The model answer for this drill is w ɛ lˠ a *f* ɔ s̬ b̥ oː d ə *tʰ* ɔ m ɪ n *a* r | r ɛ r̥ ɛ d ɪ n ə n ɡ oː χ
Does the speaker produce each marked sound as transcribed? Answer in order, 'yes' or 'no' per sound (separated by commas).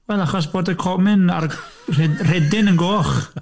no, no, yes